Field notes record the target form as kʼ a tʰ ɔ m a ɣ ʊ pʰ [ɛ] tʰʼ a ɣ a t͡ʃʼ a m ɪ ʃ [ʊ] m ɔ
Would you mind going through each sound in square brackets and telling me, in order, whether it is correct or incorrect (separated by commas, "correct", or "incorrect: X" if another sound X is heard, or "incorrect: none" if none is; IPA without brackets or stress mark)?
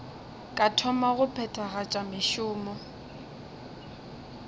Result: correct, incorrect: ʊː